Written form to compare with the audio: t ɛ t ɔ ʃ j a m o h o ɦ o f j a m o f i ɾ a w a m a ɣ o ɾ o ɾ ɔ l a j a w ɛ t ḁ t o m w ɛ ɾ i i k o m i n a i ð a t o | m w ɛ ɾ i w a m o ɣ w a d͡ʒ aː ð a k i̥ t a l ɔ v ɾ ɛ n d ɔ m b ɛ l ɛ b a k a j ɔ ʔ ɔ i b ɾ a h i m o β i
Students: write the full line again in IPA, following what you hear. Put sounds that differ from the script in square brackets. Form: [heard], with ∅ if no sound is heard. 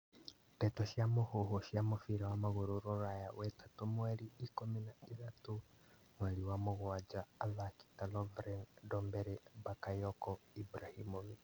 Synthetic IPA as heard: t ɛ t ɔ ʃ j a m o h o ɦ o [ʃ] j a m o f i ɾ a w a m a ɣ o ɾ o ɾ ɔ [ɾ] a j a w ɛ t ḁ t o m w ɛ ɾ i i k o m i n a i ð a t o | m w ɛ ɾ i w a m o ɣ w a d͡ʒ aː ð a k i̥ t a l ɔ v ɾ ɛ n d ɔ m b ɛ [ɾ] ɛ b a k a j ɔ [k] ɔ i b ɾ a h i m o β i